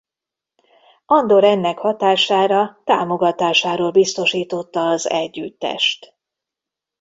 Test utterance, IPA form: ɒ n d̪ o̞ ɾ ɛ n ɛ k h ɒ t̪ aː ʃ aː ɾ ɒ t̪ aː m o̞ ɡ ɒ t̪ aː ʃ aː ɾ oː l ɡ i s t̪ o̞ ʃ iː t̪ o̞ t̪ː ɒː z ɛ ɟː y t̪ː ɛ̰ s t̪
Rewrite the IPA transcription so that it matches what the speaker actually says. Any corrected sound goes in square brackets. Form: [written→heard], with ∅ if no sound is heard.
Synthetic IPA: ɒ n d̪ o̞ ɾ ɛ [n→nː] ɛ k h ɒ t̪ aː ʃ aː ɾ ɒ t̪ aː m o̞ ɡ ɒ t̪ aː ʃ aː ɾ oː l [ɡ→b] i s t̪ o̞ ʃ iː t̪ o̞ t̪ː ɒː z ɛ ɟː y t̪ː ɛ̰ [s→ʃ] t̪